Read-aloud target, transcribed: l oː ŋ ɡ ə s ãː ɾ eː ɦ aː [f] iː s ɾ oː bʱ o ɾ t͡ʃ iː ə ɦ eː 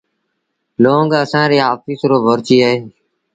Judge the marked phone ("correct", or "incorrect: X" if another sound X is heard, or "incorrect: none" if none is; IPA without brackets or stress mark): correct